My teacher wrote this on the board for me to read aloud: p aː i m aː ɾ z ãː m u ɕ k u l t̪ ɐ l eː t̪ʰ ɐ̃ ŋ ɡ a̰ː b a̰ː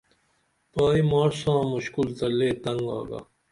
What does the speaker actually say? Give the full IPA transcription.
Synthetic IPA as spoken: p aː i m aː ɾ s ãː m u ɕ k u l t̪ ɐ l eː t̪ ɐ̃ ŋ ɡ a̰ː ɡ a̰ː